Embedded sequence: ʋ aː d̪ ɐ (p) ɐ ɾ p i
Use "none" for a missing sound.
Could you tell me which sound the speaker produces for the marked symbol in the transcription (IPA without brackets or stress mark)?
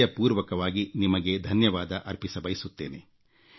ʔ